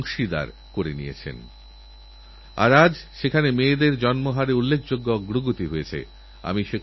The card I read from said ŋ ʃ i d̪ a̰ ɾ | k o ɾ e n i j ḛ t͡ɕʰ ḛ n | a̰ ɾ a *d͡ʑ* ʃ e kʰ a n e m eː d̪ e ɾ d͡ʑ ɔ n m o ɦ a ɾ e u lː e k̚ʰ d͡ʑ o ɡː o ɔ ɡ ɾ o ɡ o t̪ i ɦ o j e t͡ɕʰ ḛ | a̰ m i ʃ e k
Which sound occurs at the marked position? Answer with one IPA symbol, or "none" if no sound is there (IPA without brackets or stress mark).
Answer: d͡ʑ